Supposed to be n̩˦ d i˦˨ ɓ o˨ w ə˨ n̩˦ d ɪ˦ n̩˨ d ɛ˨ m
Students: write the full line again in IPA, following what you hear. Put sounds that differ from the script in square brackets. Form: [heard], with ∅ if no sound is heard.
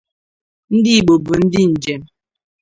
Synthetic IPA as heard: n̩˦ d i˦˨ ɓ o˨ [b] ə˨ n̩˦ d [i˦] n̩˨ [d͡ʒ] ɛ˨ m